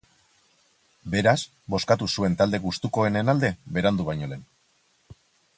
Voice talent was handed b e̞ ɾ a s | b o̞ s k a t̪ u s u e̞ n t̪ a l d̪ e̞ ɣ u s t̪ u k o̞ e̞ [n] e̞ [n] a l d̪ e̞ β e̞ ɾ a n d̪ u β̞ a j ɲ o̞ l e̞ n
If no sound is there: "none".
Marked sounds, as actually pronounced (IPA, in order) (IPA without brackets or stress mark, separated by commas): n, n